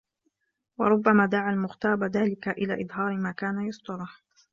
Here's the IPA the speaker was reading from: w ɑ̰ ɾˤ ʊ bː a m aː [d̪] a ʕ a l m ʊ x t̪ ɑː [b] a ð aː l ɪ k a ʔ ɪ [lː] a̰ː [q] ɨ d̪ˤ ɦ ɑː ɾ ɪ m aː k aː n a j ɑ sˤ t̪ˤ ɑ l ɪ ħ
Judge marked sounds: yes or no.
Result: yes, yes, no, no

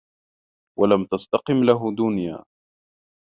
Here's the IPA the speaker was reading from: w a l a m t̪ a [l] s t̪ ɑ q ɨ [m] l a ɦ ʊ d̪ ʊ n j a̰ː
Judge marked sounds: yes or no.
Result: no, yes

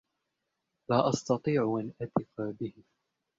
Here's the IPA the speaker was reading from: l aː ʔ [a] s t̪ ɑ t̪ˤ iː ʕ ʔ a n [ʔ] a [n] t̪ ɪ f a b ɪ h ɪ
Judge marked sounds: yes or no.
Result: no, yes, no

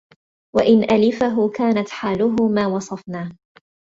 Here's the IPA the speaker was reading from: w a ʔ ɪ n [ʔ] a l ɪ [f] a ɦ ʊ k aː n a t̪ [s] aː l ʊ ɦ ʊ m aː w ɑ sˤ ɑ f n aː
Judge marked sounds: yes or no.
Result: yes, yes, no

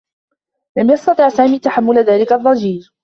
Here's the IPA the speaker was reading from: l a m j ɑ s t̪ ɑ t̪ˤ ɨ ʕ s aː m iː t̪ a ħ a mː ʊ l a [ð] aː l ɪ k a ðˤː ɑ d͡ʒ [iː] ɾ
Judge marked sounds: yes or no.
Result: yes, yes

